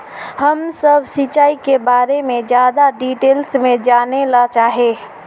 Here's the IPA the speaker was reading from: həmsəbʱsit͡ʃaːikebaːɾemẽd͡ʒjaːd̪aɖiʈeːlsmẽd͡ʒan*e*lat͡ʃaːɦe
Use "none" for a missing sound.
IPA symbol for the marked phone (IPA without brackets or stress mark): e